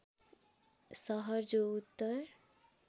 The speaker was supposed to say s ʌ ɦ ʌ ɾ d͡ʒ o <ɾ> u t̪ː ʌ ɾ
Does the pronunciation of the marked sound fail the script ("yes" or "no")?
yes